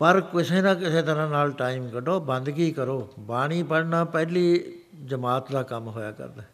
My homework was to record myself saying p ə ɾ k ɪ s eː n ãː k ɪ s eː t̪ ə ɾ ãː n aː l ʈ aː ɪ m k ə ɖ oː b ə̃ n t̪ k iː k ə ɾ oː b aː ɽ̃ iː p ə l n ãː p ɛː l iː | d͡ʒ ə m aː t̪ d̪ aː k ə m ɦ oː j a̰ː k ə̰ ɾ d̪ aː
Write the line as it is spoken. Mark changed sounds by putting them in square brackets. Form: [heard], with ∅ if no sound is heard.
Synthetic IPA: p ə ɾ k ɪ s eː n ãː k ɪ s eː t̪ ə ɾ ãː n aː l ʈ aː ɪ m k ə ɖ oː b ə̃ n [d̪] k iː k ə ɾ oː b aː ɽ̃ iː p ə [ɽ] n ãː p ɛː l iː | d͡ʒ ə m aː t̪ d̪ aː k ə m ɦ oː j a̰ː k ə̰ ɾ d̪ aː